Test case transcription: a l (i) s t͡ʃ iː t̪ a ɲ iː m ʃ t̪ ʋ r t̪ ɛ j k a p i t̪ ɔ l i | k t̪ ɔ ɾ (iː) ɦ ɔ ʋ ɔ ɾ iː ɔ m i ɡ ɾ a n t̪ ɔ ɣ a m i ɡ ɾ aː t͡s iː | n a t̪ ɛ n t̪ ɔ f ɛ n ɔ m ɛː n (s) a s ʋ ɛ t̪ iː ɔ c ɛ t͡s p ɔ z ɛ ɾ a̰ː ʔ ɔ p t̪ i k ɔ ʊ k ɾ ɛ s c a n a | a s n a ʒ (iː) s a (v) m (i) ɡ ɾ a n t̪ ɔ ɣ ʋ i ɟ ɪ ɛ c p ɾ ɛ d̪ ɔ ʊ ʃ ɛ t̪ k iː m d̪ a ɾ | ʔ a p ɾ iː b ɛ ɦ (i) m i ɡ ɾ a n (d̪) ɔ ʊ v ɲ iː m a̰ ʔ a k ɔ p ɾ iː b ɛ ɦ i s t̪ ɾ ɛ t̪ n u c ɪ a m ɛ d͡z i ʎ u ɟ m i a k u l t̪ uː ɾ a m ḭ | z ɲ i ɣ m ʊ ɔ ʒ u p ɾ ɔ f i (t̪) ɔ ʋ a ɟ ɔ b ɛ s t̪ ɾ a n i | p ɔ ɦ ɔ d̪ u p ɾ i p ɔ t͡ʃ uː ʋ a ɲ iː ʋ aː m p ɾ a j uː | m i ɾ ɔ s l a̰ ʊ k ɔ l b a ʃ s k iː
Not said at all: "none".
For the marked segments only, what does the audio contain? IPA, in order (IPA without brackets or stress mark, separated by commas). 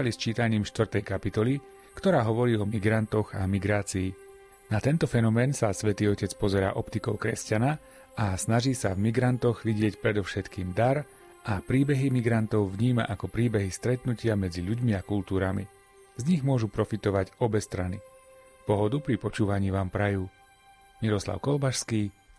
i, aː, s, iː, v, i, i, t̪, t̪